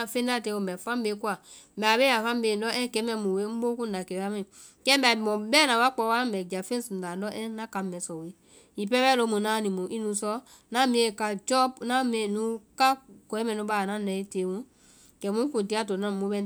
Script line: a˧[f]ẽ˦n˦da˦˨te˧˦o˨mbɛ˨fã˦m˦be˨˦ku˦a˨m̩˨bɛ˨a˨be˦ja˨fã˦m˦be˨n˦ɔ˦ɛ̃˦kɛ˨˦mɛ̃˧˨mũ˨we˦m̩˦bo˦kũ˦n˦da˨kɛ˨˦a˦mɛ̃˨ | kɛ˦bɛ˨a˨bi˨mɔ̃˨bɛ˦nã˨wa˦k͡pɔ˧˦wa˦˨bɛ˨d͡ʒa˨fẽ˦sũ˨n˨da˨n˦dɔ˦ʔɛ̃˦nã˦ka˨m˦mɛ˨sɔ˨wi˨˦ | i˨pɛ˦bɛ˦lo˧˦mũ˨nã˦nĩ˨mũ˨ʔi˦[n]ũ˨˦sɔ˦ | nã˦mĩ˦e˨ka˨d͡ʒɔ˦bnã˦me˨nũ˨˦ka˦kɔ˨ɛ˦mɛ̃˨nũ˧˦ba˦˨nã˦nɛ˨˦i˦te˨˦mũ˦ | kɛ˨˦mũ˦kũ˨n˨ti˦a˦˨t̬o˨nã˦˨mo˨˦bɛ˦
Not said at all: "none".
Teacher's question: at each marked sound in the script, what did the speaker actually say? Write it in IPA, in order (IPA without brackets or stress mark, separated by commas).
f, n